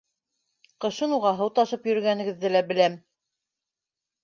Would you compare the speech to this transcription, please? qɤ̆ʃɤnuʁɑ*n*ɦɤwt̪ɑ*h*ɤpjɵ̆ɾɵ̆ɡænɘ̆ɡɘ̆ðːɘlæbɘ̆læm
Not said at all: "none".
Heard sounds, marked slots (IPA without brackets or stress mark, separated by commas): none, ʃ